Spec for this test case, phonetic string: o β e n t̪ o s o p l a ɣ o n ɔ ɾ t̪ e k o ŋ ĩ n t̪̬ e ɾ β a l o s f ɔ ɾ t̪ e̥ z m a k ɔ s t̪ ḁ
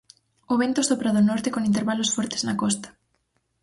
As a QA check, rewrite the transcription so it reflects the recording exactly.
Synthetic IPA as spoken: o β e n t̪ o s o p ɾ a ð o n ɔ ɾ t̪ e k o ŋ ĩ n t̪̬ e ɾ β a l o s f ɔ ɾ t̪ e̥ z n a k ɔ s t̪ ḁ